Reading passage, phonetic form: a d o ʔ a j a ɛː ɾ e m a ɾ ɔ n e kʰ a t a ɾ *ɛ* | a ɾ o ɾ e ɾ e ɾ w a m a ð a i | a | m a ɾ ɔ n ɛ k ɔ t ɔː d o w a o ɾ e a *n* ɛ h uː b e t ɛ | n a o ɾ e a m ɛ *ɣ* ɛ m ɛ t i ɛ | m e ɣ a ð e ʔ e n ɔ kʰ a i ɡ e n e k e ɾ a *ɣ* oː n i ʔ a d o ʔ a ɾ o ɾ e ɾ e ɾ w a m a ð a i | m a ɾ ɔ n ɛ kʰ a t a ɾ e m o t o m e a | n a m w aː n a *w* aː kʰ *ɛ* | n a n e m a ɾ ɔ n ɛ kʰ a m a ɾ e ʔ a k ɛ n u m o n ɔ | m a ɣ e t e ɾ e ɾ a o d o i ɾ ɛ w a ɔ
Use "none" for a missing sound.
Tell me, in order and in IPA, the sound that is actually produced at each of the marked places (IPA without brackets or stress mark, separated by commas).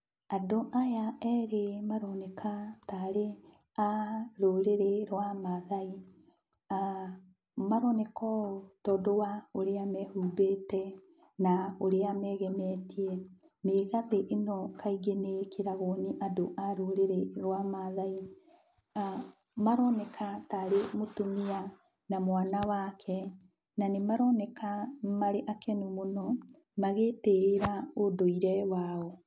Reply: e, m, ɣ, ɣ, w, ɛ